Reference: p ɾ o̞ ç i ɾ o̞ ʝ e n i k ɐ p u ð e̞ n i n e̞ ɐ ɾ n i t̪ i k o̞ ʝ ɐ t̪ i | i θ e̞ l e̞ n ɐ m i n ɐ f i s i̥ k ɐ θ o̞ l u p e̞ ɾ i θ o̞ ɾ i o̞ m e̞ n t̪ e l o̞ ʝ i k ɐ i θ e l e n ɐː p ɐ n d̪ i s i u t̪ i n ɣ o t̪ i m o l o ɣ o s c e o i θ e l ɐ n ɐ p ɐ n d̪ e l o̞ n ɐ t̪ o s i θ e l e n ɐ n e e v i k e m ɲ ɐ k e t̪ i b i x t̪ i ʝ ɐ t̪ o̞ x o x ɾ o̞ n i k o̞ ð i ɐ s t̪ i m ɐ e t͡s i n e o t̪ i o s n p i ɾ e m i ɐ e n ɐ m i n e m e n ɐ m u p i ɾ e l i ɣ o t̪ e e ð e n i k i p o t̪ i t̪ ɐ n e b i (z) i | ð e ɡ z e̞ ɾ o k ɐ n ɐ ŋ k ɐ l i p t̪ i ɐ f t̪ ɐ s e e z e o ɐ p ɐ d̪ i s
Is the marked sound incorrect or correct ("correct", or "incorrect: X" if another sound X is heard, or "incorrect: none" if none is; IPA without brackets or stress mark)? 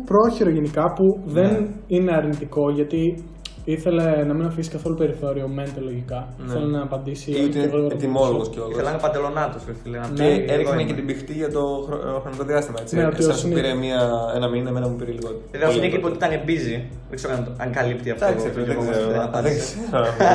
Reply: correct